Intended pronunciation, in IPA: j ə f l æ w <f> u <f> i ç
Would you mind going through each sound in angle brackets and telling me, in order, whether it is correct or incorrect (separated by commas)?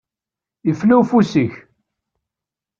correct, incorrect